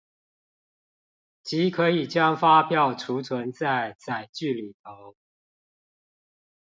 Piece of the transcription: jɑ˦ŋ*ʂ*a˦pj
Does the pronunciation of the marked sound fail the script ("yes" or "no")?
yes